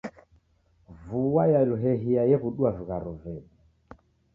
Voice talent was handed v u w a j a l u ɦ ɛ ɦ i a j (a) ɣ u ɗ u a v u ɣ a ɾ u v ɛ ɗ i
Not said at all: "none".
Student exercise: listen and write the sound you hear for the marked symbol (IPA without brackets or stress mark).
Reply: ɛ